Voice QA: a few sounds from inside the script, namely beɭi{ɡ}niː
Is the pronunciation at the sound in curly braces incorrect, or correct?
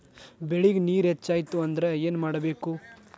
correct